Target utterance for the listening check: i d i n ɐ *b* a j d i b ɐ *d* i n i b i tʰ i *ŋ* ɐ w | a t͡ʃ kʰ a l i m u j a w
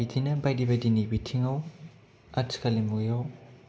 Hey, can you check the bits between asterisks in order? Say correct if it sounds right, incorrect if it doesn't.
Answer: correct, correct, correct

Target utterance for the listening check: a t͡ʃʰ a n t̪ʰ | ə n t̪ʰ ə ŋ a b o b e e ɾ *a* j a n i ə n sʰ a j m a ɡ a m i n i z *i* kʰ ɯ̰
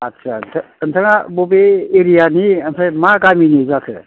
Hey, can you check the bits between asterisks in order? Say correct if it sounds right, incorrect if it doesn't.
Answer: incorrect, incorrect

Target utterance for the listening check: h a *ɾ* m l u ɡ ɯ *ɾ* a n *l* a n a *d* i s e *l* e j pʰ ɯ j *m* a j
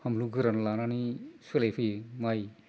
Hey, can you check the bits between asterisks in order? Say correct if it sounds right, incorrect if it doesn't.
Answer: incorrect, correct, correct, incorrect, correct, correct

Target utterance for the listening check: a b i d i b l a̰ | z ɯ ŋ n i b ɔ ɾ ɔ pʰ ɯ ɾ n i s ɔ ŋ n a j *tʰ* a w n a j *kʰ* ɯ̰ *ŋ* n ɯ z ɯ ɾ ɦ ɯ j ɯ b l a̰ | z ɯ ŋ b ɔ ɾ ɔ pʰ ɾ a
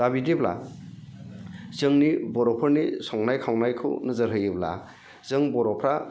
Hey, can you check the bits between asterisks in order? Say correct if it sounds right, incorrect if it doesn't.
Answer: incorrect, correct, incorrect

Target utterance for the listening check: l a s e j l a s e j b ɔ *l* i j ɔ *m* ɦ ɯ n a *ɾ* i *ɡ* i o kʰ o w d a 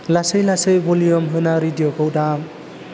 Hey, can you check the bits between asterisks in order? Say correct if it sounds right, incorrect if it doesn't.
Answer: correct, correct, correct, incorrect

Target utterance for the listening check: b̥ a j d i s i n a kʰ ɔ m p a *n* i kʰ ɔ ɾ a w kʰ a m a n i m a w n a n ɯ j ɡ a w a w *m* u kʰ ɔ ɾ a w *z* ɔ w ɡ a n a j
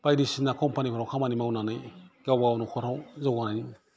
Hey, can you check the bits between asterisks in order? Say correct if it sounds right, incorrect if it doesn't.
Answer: correct, incorrect, correct

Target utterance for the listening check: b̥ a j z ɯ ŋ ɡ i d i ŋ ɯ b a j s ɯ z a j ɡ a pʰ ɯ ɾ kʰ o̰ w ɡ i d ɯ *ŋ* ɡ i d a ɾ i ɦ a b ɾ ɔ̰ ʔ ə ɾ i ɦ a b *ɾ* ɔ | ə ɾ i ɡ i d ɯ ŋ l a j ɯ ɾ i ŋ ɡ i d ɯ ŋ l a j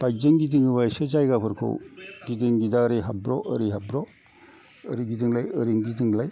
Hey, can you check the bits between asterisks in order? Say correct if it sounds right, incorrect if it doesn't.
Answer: correct, correct

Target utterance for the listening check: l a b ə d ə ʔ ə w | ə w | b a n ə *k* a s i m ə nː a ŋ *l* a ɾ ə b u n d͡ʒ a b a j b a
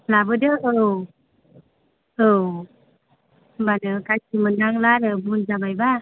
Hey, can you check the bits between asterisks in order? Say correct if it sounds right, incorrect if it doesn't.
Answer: correct, correct

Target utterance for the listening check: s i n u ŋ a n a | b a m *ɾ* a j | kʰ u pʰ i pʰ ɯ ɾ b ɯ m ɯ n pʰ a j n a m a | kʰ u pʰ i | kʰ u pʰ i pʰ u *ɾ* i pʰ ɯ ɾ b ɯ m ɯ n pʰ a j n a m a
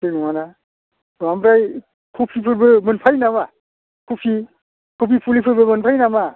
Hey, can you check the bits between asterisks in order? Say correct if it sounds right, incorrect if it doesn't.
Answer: correct, incorrect

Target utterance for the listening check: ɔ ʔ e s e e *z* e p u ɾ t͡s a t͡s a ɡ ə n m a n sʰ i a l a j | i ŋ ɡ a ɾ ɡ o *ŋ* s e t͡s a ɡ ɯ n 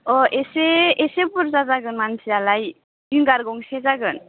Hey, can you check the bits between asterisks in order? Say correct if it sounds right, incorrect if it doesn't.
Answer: incorrect, correct

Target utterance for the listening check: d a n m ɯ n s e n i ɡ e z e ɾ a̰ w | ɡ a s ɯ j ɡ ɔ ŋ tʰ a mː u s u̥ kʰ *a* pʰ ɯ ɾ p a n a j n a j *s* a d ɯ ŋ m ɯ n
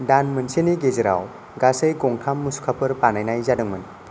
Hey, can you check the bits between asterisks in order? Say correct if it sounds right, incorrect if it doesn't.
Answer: correct, incorrect

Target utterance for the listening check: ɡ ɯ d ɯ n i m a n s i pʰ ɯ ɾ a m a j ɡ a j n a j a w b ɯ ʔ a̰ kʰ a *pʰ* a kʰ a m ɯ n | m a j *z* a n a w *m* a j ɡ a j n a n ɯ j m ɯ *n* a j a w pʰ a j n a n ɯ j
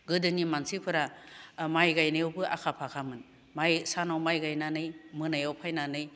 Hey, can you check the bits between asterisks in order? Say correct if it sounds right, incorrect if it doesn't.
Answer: correct, incorrect, correct, correct

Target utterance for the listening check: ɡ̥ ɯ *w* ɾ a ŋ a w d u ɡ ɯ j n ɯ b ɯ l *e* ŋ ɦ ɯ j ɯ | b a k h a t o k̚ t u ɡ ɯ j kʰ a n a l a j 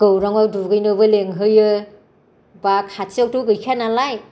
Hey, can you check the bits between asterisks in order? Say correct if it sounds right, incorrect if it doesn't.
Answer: correct, correct

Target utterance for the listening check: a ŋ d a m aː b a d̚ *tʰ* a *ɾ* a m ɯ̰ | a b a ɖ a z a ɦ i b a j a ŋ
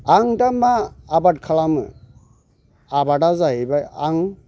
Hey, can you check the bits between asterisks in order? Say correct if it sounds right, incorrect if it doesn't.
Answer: incorrect, incorrect

